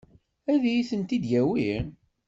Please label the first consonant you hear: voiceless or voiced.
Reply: voiced